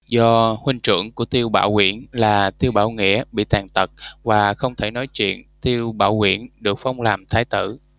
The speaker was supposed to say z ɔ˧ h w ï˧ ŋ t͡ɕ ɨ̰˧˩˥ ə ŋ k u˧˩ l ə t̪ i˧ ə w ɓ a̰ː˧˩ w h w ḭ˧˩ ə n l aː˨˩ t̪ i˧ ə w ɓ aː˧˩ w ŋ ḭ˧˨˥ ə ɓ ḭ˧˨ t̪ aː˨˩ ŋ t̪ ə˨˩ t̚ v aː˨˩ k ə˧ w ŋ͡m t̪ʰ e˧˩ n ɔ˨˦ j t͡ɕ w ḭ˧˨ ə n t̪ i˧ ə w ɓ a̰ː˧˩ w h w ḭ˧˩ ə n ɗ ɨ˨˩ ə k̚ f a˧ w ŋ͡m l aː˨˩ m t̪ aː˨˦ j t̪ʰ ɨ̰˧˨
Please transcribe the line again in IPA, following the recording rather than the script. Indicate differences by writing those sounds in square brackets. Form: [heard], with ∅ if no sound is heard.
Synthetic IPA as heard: z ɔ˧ h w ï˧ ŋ t͡ɕ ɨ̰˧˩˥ ə ŋ k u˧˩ [∅] ə t̪ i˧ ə w ɓ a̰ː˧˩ w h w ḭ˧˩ ə n l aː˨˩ t̪ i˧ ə w ɓ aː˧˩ w ŋ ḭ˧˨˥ ə ɓ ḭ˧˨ t̪ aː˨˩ ŋ t̪ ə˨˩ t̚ v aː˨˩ [x] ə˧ w ŋ͡m t̪ʰ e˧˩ n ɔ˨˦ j t͡ɕ w ḭ˧˨ ə n t̪ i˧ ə w ɓ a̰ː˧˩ w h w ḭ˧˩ ə n ɗ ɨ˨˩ ə k̚ f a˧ w ŋ͡m l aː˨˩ m [t̪ʰ] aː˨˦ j [t̪] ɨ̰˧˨

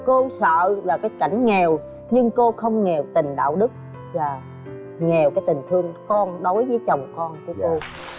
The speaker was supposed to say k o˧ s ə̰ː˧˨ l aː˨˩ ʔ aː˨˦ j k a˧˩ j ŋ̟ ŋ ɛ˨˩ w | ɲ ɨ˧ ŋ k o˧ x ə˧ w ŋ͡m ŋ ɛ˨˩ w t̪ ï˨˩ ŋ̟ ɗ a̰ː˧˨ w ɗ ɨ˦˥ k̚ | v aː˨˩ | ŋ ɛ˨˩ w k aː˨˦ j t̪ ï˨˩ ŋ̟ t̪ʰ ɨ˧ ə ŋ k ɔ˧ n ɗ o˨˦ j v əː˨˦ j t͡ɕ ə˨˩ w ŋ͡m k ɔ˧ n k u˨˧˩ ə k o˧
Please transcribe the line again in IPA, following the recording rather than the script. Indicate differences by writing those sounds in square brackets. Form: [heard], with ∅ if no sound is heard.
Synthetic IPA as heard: k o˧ s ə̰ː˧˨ l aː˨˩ [k] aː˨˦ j k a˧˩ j ŋ̟ ŋ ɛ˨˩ w | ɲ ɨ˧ ŋ k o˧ x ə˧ w ŋ͡m ŋ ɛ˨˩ w t̪ ï˨˩ ŋ̟ ɗ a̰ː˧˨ w ɗ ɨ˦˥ k̚ | v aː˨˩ | ŋ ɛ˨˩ w k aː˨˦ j t̪ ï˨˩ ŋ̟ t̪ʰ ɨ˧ ə ŋ k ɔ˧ n ɗ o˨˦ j v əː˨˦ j t͡ɕ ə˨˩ w ŋ͡m k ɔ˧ n k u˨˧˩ ə k o˧

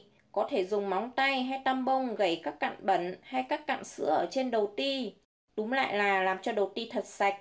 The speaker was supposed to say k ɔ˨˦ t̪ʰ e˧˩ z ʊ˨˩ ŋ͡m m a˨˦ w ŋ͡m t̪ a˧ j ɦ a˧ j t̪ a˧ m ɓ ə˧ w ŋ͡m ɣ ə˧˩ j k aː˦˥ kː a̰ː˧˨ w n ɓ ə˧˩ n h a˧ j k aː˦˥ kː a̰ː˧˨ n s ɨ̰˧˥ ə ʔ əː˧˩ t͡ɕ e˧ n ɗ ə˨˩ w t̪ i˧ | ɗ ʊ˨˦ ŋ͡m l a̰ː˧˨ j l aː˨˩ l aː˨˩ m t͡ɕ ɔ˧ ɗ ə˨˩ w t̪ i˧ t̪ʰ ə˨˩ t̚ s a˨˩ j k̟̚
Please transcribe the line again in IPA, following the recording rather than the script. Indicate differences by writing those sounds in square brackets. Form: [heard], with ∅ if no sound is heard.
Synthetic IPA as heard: k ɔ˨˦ t̪ʰ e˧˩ z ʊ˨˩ ŋ͡m m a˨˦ w ŋ͡m t̪ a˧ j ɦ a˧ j t̪ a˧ m ɓ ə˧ w ŋ͡m ɣ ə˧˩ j k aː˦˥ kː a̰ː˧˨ [∅] n ɓ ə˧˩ n h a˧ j k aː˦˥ kː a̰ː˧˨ n s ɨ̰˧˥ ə ʔ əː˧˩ t͡ɕ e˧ n ɗ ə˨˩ w t̪ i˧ | ɗ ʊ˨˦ ŋ͡m l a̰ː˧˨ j l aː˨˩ l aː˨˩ m t͡ɕ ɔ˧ ɗ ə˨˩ w t̪ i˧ t̪ʰ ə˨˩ t̚ s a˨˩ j k̟̚

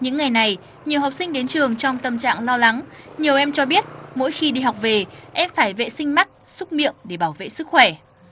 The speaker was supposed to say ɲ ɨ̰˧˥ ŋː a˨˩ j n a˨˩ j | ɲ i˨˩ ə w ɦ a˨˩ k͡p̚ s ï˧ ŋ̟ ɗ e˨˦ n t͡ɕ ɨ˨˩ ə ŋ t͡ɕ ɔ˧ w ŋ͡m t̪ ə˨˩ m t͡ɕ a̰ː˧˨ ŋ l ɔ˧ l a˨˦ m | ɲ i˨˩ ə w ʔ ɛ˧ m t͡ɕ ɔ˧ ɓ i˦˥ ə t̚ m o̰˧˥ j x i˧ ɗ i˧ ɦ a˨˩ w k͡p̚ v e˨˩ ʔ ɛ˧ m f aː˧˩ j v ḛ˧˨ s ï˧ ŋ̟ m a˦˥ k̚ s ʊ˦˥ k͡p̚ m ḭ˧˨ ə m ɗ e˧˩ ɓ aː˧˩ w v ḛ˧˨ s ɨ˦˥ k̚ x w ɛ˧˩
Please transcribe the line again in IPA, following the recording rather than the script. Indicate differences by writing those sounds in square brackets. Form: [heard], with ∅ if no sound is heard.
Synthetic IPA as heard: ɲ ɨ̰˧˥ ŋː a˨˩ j n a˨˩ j | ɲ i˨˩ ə w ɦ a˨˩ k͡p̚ s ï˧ ŋ̟ ɗ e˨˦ n t͡ɕ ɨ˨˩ ə ŋ t͡ɕ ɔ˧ w ŋ͡m t̪ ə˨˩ m t͡ɕ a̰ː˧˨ ŋ l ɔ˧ l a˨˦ [ŋ] | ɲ i˨˩ ə w ʔ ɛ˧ m t͡ɕ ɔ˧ ɓ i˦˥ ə t̚ m o̰˧˥ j x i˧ ɗ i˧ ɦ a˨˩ w k͡p̚ v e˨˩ ʔ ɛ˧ m f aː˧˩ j v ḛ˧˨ s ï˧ ŋ̟ m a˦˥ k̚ s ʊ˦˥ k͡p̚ m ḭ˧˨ ə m ɗ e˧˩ ɓ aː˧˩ w v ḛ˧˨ s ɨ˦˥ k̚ x w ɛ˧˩

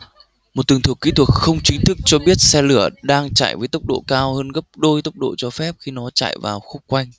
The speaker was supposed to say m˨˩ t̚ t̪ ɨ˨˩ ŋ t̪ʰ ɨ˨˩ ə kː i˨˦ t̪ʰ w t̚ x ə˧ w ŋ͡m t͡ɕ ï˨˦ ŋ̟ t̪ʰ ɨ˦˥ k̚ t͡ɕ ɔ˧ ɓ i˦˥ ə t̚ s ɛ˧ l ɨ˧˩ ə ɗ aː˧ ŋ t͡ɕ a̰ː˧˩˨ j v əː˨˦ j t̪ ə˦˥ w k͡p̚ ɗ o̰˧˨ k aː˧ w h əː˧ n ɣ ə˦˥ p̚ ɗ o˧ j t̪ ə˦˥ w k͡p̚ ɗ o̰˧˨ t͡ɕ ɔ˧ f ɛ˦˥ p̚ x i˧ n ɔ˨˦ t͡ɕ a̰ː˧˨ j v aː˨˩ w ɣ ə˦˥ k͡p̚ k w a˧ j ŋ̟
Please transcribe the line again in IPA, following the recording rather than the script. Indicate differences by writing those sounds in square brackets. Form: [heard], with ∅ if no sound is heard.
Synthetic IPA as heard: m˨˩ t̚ t̪ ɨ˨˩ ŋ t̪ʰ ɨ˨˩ ə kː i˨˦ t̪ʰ w t̚ x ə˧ w ŋ͡m t͡ɕ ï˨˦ ŋ̟ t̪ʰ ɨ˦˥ k̚ t͡ɕ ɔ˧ ɓ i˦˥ ə t̚ s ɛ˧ l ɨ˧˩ ə ɗ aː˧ ŋ t͡ɕ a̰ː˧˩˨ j v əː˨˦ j t̪ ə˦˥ w k͡p̚ ɗ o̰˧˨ k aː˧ w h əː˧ n ɣ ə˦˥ p̚ ɗ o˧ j t̪ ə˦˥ w k͡p̚ ɗ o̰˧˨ t͡ɕ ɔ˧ f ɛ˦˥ p̚ x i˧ n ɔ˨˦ t͡ɕ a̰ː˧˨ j v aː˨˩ w [x] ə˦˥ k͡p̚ k w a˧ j ŋ̟

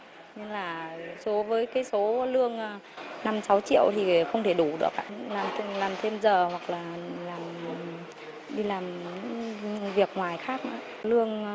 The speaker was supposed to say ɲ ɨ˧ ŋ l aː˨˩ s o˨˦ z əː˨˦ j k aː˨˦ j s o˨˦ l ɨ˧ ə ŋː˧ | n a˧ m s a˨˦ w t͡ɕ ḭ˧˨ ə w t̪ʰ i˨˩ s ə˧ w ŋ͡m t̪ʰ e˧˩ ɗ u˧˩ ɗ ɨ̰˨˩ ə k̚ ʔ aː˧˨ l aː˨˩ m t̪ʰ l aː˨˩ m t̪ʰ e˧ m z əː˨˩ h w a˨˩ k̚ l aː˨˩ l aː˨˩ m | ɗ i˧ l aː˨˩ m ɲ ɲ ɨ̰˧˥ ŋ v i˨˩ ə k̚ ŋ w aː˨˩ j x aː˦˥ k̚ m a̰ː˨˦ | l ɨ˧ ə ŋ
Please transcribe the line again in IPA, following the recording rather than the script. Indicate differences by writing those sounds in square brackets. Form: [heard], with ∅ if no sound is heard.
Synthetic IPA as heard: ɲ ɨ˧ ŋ l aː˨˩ s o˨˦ [v] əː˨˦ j k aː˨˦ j s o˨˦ l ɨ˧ ə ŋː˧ | n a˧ m s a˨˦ w t͡ɕ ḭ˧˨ ə w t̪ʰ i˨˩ [x] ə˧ w ŋ͡m t̪ʰ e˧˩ ɗ u˧˩ ɗ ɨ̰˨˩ ə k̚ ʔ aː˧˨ l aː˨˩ m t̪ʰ l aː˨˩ m t̪ʰ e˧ m z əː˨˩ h w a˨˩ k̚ l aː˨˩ l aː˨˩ m | ɗ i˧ l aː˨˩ m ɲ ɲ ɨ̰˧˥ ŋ v i˨˩ ə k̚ ŋ w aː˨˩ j x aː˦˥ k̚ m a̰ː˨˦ | l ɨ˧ ə ŋ

